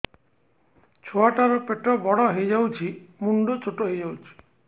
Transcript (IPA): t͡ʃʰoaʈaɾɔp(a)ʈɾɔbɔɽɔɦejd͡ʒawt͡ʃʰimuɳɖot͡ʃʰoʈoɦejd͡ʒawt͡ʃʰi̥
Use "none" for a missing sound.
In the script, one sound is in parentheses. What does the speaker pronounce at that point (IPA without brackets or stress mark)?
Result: e